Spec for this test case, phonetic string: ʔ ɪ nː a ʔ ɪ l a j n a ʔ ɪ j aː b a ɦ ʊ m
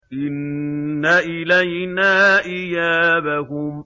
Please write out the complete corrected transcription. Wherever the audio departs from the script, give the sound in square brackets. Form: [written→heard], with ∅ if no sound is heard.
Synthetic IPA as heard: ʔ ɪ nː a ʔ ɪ l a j n a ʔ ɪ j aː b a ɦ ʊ m